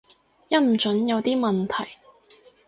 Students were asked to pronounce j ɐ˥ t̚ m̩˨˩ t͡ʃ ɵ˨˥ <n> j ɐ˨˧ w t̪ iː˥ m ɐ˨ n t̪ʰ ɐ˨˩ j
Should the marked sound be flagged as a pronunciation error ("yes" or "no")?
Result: no